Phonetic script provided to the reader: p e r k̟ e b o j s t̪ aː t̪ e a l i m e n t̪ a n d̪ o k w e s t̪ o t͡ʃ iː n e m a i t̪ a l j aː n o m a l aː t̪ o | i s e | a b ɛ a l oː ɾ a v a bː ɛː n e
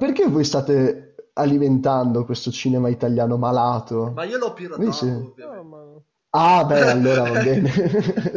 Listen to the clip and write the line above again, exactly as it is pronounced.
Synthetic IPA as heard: p e r k̟ e v o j s t̪ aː t̪ e a l i m e n t̪ a n d̪ o k w e s t̪ o t͡ʃ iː n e m a i t̪ a l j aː n o m a l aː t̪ o | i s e | a b ɛ a lː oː ɾ a v a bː ɛː n e